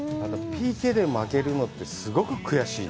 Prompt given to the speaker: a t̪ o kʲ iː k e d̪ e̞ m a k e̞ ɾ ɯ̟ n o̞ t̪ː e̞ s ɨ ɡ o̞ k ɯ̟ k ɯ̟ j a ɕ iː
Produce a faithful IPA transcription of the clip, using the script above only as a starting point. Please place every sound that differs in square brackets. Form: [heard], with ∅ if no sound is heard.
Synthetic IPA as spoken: a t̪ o [pʲ] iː k e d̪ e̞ m a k e̞ ɾ ɯ̟ n o̞ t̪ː e̞ s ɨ ɡ o̞ k ɯ̟ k ɯ̟ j a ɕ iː